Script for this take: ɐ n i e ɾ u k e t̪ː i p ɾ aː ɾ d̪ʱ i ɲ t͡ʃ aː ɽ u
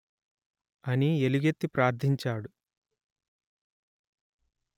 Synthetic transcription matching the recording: ɐ n i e l u ɡ e t̪ː i p ɾ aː ɾ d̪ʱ i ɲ t͡ʃ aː ɽ u